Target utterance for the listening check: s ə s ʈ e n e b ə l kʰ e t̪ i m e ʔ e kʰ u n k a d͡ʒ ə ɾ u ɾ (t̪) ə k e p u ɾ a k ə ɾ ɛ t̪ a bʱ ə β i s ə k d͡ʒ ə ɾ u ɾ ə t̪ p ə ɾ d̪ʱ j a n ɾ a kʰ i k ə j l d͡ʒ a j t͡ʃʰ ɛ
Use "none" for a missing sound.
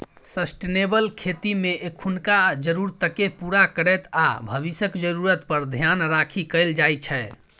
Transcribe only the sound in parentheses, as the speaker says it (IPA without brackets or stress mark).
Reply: t̪